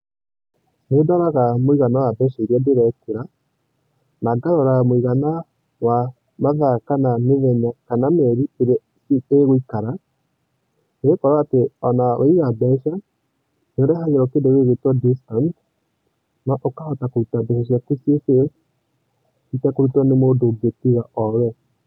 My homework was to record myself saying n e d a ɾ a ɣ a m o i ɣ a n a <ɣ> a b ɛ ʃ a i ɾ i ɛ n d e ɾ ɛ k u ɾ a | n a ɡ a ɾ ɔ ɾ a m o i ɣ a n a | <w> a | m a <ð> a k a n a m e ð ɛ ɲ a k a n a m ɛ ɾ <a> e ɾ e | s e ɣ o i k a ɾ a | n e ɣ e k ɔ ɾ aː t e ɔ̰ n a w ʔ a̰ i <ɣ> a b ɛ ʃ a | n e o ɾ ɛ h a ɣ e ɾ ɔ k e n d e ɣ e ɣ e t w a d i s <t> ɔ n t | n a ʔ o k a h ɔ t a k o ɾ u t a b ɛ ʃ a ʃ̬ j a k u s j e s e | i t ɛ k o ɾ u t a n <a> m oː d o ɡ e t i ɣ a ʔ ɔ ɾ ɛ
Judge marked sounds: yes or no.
no, yes, yes, no, yes, yes, no

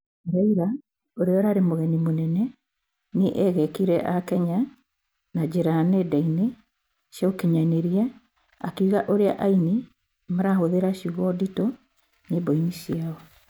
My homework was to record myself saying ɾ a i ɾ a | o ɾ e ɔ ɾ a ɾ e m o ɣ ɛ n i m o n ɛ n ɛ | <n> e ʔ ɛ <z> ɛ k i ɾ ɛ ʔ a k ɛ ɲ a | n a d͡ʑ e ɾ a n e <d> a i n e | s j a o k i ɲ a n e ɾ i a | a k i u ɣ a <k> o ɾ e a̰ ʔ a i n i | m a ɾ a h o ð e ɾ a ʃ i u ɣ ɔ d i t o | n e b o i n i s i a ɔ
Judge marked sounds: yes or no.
yes, no, yes, no

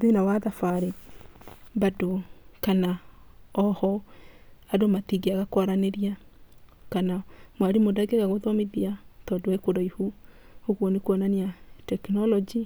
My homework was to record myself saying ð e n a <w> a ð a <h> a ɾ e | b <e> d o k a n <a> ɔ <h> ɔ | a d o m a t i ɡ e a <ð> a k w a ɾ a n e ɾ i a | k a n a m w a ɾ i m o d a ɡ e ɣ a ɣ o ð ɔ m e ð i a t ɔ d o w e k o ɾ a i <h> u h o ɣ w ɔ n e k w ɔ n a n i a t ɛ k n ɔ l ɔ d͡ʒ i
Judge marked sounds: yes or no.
yes, no, no, yes, yes, no, yes

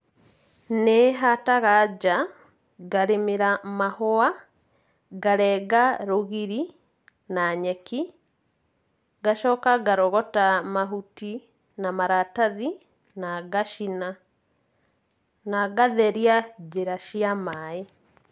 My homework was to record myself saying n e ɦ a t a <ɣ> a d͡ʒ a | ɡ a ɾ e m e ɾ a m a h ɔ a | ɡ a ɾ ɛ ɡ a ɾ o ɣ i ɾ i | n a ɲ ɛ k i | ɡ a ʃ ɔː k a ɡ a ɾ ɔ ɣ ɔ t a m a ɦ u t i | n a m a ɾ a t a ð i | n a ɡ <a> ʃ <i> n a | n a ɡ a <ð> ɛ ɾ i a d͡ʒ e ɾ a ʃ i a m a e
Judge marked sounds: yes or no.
yes, yes, yes, yes

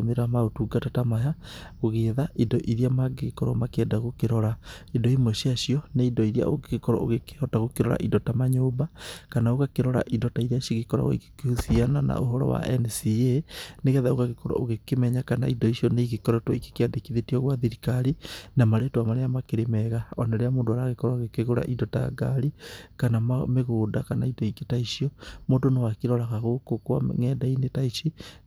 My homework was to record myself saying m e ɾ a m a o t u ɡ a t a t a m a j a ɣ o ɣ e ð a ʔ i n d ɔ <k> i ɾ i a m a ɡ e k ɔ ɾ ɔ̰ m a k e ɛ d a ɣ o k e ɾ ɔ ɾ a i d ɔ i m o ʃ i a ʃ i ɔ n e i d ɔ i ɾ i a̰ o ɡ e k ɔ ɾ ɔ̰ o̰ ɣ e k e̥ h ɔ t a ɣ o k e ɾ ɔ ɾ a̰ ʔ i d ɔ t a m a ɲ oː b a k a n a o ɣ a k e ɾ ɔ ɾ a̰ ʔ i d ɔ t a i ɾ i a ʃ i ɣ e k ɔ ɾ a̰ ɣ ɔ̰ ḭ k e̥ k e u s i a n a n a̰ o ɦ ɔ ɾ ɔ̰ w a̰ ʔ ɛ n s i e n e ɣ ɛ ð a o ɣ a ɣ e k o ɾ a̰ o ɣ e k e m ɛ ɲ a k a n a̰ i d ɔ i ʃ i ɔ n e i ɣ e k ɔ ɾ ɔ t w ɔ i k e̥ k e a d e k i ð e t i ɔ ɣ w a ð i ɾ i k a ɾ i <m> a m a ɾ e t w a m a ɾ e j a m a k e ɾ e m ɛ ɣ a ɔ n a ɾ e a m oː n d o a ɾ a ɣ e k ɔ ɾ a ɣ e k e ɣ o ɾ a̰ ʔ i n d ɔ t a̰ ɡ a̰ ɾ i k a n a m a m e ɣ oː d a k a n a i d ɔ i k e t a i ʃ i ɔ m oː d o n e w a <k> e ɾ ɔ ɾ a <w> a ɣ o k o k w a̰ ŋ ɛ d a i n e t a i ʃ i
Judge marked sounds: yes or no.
no, no, yes, no

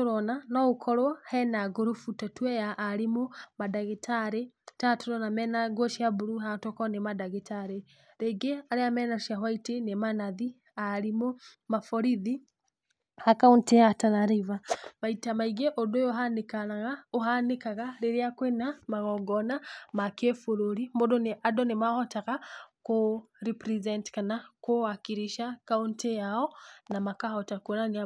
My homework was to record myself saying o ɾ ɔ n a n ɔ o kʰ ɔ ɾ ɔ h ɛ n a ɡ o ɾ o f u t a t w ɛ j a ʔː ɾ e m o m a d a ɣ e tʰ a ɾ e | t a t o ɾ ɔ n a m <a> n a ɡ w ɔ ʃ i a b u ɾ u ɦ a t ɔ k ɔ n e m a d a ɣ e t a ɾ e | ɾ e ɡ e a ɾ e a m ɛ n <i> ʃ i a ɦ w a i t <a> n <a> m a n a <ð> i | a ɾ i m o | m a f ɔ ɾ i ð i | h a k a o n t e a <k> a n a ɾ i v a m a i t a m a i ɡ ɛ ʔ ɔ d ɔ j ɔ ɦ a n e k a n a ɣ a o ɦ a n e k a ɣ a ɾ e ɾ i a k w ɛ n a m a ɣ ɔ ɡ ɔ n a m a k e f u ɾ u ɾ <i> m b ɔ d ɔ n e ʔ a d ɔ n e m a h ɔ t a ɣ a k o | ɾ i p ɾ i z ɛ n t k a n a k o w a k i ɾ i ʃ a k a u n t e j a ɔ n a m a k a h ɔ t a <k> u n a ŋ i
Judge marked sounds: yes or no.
no, no, no, no, yes, no, yes, yes

